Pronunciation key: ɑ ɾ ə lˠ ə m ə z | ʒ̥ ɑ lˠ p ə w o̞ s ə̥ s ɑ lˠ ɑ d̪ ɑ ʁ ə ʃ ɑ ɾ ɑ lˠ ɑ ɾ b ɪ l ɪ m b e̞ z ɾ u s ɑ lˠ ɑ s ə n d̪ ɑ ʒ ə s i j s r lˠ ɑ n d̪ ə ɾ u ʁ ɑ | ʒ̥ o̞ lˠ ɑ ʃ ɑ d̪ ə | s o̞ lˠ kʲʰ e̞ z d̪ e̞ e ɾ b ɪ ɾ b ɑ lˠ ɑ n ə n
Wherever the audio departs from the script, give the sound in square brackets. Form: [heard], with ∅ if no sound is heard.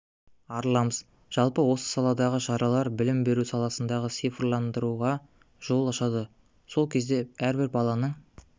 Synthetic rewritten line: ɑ ɾ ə lˠ [ɑ] m ə z | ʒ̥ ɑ lˠ p ə w o̞ s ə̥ s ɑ lˠ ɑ d̪ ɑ ʁ ə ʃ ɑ ɾ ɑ lˠ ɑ ɾ b ɪ l ɪ m b e̞ [∅] ɾ u s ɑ lˠ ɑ s ə n d̪ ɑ [ʁ] ə s i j [f] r lˠ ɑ n d̪ ə ɾ u ʁ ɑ | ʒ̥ o̞ lˠ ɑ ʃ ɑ d̪ ə | s o̞ lˠ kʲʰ e̞ z d̪ e̞ [æ] ɾ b ɪ ɾ b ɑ lˠ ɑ n ə [ɴ]